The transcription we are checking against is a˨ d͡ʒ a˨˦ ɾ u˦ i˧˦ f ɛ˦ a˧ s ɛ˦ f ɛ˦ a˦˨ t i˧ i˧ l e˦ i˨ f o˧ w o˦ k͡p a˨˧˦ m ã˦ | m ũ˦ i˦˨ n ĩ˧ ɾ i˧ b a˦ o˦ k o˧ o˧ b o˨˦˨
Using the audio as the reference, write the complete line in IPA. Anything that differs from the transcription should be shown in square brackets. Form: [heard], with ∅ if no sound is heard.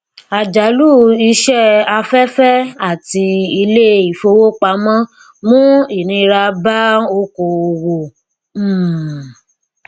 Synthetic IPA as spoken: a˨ d͡ʒ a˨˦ [l] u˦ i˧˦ [ʃ] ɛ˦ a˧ [f] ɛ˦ f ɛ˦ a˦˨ t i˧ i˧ l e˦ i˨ f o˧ w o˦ k͡p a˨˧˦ m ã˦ | m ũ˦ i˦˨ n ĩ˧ ɾ [a˧] b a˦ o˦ k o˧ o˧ [w] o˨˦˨

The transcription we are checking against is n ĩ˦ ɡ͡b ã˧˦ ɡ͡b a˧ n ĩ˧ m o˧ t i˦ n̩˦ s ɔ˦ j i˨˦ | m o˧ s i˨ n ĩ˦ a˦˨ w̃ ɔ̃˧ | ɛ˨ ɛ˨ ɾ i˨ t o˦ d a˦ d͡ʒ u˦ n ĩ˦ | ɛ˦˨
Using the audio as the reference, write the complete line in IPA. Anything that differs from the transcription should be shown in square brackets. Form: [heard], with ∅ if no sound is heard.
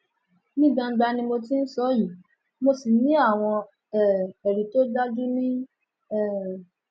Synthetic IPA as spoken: n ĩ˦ ɡ͡b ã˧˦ ɡ͡b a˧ n ĩ˧ m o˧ t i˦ n̩˦ s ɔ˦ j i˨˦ | m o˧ s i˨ n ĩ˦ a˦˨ w̃ ɔ̃˧ | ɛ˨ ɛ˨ ɾ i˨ t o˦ d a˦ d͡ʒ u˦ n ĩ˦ | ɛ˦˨

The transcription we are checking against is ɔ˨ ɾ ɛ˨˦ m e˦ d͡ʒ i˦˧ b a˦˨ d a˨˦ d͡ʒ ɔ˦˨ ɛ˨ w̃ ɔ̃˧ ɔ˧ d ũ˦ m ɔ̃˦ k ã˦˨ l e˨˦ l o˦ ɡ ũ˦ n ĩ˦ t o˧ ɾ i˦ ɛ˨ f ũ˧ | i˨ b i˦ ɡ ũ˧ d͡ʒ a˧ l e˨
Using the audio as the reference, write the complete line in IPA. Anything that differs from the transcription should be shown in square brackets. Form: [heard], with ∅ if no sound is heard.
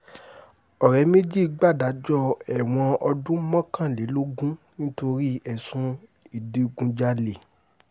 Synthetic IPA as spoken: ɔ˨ ɾ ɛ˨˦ m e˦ d͡ʒ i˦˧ [ɡ͡b] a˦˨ d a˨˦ d͡ʒ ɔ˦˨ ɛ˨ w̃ ɔ̃˧ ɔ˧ d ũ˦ m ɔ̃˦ k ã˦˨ l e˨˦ l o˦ ɡ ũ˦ n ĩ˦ t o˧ ɾ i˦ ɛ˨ [s] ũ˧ | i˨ [d] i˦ ɡ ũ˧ d͡ʒ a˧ l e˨

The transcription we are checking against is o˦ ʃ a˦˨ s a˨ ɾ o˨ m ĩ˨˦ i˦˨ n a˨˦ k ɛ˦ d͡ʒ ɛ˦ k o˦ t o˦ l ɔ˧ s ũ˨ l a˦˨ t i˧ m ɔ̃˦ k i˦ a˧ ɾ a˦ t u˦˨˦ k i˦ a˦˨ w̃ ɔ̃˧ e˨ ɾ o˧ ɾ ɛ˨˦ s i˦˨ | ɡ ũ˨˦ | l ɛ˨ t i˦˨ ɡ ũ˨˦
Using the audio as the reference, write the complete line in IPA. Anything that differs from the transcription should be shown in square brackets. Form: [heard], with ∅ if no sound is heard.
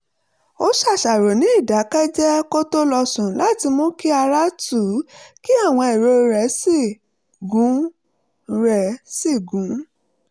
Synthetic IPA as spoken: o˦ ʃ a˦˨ [ʃ] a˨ ɾ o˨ [n] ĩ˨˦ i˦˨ [d] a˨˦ k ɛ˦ d͡ʒ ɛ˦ k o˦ t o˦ l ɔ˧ s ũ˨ l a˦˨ t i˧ m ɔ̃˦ k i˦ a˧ ɾ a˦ t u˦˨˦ k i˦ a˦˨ w̃ ɔ̃˧ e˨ ɾ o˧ ɾ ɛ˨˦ s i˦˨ | ɡ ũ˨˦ | [ɾ] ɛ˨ [s] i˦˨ ɡ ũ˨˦

